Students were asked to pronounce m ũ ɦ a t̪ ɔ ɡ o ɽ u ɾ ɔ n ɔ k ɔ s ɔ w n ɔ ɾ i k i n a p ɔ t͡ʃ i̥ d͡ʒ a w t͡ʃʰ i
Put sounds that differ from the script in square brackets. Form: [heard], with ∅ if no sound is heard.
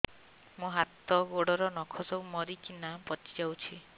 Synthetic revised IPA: m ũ ɦ a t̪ ɔ ɡ o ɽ [ɔ] ɾ ɔ n ɔ [kʰ] ɔ s ɔ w [m] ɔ ɾ i k i n a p ɔ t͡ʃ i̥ d͡ʒ a w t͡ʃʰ i